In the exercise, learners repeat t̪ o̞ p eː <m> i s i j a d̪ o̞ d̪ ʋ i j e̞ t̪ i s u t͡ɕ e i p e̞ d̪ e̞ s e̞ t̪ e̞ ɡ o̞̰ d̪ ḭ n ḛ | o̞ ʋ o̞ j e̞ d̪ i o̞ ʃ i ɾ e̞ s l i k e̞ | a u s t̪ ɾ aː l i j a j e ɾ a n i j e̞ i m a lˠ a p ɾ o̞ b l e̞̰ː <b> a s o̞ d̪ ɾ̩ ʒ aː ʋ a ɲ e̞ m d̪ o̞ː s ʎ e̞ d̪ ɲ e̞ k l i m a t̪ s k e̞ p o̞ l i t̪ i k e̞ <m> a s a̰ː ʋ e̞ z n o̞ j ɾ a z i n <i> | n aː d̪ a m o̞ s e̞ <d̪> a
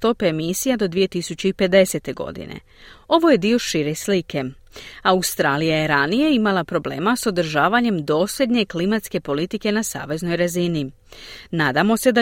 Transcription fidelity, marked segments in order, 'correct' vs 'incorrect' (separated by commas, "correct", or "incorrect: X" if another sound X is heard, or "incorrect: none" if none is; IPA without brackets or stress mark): correct, incorrect: m, incorrect: n, correct, correct